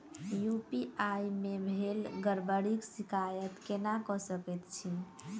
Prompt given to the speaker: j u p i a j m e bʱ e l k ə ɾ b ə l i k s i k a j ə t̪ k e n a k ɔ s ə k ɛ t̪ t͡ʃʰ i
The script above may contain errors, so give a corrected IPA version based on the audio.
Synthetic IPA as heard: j u p i a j m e bʱ e l ɡ ə ɾ b ə ɽ i k s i k a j ə t̪ k e n a k ɔ s ə k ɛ t̪ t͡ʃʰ i